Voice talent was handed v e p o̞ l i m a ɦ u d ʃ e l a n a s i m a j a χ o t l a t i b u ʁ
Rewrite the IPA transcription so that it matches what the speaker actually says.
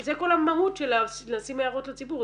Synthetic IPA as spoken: z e k o̞ l a m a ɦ u t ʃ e l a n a s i m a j a ʁ o t l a t͡s i b u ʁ